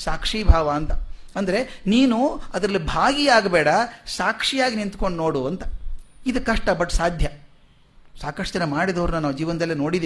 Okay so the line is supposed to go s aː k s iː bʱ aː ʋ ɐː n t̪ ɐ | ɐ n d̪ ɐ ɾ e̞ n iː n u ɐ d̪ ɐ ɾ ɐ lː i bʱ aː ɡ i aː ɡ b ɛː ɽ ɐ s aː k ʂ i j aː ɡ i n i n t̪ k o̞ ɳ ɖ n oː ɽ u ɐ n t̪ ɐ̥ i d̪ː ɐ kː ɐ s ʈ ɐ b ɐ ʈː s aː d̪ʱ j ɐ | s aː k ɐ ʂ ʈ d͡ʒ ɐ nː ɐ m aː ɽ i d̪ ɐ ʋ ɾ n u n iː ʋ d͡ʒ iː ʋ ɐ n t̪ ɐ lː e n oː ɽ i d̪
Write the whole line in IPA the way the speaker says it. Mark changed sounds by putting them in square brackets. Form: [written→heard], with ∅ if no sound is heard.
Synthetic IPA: s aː k [s→ʂ] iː bʱ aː ʋ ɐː n t̪ ɐ | ɐ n d̪ ɐ ɾ e̞ n iː n u ɐ d̪ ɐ ɾ ɐ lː i bʱ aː ɡ i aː ɡ b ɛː ɽ ɐ s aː k ʂ i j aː ɡ i n i n t̪ k o̞ ɳ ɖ n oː ɽ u ɐ n t̪ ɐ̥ i [d̪ː→d̪] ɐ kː ɐ [s→ʂ] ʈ ɐ b ɐ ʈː s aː d̪ʱ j ɐ | s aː k ɐ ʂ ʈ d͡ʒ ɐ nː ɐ m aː ɽ i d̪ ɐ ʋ ɾ n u n [iː→aː] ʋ d͡ʒ iː ʋ ɐ n [t̪→d̪] ɐ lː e n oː ɽ i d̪